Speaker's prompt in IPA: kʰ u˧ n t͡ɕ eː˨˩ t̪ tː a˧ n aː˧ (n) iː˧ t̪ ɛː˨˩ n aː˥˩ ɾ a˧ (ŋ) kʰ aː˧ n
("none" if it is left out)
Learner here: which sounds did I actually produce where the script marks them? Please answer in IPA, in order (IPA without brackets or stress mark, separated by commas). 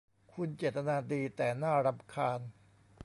d, m